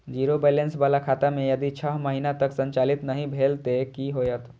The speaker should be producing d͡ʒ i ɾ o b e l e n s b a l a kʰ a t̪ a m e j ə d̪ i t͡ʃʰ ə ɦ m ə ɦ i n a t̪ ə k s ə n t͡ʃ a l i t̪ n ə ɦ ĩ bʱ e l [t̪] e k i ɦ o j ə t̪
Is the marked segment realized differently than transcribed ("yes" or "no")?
no